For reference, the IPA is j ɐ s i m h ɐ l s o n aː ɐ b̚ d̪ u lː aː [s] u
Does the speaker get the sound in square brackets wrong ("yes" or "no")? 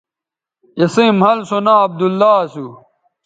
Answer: no